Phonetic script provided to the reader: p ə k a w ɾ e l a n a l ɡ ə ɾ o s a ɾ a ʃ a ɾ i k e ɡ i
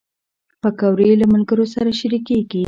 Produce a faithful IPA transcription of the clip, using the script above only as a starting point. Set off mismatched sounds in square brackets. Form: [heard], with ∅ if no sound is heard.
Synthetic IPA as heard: p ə k a w ɾ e l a [m] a l ɡ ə ɾ o s a ɾ a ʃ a ɾ i k e ɡ i